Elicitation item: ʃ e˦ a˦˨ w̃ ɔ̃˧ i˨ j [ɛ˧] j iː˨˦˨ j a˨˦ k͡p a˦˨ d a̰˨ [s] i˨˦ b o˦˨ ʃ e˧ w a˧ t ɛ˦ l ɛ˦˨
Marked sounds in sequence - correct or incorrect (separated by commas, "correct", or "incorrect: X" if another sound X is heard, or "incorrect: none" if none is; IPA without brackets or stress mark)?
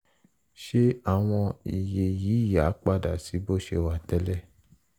incorrect: e˧, correct